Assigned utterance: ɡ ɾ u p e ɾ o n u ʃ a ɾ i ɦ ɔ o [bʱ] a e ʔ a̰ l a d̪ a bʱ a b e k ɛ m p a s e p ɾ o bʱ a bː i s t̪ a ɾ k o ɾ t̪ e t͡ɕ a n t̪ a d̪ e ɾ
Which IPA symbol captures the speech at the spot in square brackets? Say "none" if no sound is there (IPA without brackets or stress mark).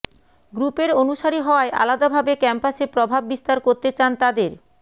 none